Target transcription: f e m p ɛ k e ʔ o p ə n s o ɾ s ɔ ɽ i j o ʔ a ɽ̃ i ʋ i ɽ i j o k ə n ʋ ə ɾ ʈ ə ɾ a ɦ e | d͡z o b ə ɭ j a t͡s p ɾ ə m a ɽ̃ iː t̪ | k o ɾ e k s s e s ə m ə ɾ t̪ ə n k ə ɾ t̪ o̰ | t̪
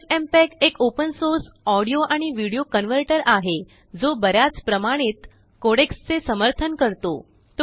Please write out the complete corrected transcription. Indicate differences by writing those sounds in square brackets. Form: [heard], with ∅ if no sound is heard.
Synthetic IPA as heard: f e m p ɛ k e [k] o p ə n s o ɾ s ɔ ɽ i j o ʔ a ɽ̃ i ʋ i ɽ i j o k ə n ʋ ə ɾ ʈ ə ɾ a ɦ e | d͡z o b ə [ɾ] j a t͡s p ɾ ə m a ɽ̃ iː t̪ | k o [ɽ] e k s [t͡s] e s ə m ə ɾ [t̪ʰ] ə n k ə ɾ t̪ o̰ | t̪

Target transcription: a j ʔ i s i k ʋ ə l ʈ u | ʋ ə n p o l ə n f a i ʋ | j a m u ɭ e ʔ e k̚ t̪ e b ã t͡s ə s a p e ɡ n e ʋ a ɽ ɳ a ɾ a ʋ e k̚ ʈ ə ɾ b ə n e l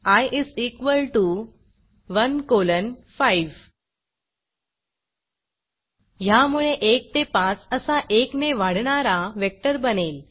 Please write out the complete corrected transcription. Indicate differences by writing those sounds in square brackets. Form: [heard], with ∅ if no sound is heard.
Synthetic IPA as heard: a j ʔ i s i k ʋ ə l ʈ u | ʋ ə n [k] o l ə n f a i ʋ | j a m u ɭ e ʔ e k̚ t̪ e [p] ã t͡s ə s a [ʔ] e [k] n e ʋ a ɽ ɳ a ɾ a ʋ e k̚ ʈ ə ɾ b ə n e l

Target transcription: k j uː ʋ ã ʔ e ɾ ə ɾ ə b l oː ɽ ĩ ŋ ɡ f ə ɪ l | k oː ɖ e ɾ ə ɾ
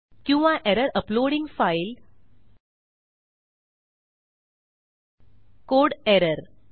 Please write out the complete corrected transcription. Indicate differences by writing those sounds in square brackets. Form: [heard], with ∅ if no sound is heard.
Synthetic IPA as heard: k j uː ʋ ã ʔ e ɾ ə ɾ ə [p] l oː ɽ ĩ ŋ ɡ f [a] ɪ l | k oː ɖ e ɾ ə ɾ

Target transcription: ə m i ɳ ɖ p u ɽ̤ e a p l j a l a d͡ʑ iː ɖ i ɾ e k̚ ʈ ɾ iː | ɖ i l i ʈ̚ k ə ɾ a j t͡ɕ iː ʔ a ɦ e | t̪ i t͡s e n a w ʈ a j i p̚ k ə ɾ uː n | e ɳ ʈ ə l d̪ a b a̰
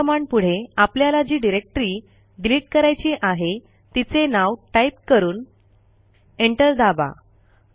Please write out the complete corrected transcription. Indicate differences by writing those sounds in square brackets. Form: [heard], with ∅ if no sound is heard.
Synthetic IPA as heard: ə m [a] ɳ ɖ p u ɽ̤ e a p l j a l a d͡ʑ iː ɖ i ɾ e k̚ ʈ ɾ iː | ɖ i l i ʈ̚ k ə ɾ a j t͡ɕ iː ʔ a ɦ e | t̪ i t͡s e n a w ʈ a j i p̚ k ə ɾ uː n | e ɳ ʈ ə l d̪ a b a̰

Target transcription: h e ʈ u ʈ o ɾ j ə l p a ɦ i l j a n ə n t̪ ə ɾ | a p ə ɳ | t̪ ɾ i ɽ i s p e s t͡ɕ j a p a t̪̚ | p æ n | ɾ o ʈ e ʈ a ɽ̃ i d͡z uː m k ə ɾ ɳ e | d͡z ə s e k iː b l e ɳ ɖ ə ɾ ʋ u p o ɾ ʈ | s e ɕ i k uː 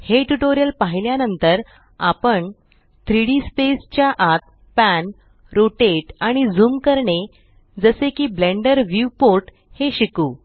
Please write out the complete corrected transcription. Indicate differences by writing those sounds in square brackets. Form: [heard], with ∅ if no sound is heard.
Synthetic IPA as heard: h e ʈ u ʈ o ɾ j ə l p a ɦ i l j a n ə n t̪ ə ɾ | a p ə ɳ | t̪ ɾ i ɽ i s p e s t͡ɕ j a [ʔ] a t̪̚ | p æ n | ɾ o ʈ e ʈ a ɽ̃ i d͡z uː m k ə ɾ ɳ e | d͡z ə s e k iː b l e ɳ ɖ ə ɾ ʋ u p o ɾ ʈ | [h] e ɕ i k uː

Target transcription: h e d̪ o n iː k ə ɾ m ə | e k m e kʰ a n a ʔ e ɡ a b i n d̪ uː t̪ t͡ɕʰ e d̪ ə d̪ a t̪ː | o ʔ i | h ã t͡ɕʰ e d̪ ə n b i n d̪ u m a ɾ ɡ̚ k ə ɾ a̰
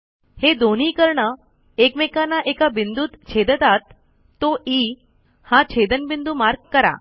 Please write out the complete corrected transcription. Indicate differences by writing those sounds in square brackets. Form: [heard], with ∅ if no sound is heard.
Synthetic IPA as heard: h e d̪ o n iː k ə ɾ [ɳ] ə | e k m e [k] a n a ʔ e [k] a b i n d̪ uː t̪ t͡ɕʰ e d̪ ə [t̪] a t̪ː | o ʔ i | h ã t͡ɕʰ e d̪ ə n b i n d̪ u m a ɾ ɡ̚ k ə ɾ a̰

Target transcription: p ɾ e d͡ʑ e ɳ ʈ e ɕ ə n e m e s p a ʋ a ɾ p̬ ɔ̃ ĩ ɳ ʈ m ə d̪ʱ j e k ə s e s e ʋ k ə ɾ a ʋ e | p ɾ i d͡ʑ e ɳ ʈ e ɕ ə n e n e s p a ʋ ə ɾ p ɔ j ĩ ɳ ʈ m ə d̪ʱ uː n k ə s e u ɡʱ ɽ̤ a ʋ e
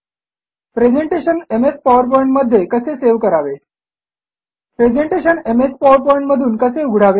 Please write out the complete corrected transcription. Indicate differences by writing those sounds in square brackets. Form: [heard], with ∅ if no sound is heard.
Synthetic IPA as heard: p ɾ e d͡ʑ e ɳ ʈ e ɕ ə n e m e s p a ʋ [ə] ɾ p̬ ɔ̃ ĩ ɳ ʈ m ə d̪ʱ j e k ə s e s e ʋ k ə ɾ a ʋ e | p ɾ [e] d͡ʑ e ɳ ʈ e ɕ ə n e [m] e s p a ʋ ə ɾ p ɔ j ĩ ɳ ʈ m ə d̪ʱ uː n k ə s e u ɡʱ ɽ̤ a ʋ e

